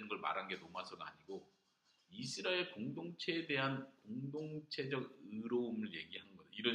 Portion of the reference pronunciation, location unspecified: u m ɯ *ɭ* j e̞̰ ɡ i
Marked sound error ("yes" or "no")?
no